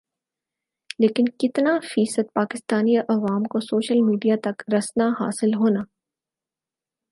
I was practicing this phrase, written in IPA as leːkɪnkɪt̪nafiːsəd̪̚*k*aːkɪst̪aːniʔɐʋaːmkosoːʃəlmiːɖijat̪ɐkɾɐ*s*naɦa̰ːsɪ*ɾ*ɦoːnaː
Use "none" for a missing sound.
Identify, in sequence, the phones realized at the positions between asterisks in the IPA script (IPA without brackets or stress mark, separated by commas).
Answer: p, s, l